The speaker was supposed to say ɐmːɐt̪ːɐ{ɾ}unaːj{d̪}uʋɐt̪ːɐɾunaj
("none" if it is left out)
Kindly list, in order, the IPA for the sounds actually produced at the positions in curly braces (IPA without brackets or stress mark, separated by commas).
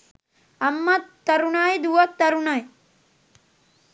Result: ɾ, d̪